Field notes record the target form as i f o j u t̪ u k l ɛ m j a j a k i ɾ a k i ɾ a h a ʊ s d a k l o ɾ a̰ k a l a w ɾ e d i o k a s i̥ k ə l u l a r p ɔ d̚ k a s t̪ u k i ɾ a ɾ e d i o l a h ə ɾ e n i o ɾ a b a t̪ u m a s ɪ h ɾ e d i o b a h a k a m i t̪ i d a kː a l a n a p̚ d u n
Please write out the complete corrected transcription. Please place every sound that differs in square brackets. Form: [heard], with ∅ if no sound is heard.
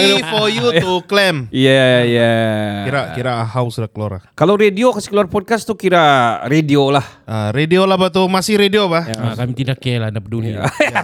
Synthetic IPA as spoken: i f o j u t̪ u k l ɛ m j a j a k i ɾ a k i ɾ a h a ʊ s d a k l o ɾ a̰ k a l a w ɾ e d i o k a s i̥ k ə l u [∅] a r p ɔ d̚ k a s t̪ u k i ɾ a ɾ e d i o l a h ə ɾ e [d] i o [l] a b a t̪ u m a s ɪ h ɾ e d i o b a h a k a m i t̪ i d a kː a l a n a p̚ d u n